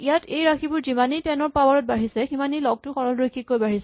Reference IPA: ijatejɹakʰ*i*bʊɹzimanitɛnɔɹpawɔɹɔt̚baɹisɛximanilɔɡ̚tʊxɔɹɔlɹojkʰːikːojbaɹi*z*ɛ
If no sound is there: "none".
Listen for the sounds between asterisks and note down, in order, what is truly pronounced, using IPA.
i, s

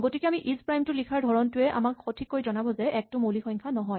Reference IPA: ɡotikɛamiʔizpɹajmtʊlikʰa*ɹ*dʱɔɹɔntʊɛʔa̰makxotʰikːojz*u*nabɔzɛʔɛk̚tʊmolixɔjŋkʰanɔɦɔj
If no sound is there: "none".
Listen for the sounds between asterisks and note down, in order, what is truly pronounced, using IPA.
ɹ, ɔ

